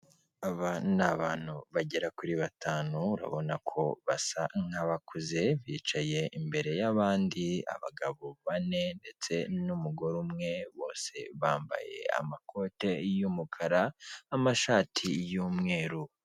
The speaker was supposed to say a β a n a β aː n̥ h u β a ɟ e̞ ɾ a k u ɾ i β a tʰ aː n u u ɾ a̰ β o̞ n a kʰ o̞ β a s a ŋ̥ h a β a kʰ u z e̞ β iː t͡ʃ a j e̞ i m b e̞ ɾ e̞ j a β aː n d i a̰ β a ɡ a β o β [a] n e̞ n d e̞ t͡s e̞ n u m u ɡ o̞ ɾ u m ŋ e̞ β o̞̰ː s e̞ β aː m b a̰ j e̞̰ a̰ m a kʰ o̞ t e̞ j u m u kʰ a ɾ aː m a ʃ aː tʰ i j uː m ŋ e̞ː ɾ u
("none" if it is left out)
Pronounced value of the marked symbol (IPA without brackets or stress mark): a